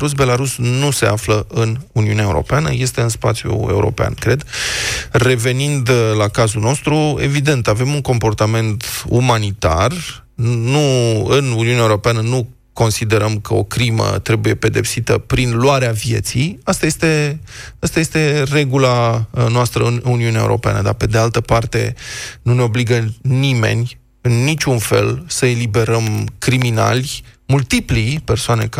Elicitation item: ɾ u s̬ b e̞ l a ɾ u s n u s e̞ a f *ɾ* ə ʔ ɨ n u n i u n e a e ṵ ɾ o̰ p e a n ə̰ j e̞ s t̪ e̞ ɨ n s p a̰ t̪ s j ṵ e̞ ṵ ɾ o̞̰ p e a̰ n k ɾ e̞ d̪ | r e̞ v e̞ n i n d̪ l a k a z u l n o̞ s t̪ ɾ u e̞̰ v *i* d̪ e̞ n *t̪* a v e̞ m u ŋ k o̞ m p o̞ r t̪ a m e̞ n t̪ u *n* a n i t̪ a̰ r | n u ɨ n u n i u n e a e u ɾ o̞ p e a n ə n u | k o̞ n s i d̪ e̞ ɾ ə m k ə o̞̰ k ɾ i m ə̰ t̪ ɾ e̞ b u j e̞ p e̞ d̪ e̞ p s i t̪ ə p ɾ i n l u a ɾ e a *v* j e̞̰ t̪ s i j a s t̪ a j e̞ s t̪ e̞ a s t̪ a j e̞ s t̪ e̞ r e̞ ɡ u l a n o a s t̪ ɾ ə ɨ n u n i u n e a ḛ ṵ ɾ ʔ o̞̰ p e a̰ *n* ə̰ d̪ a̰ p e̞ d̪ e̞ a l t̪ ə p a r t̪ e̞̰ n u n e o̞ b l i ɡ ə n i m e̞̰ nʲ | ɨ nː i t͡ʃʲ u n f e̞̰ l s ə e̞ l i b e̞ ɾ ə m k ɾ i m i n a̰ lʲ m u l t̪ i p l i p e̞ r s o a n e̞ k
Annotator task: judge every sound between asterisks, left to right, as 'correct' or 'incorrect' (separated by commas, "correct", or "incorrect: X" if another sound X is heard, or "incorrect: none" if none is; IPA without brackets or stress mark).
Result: incorrect: l, correct, correct, incorrect: m, correct, correct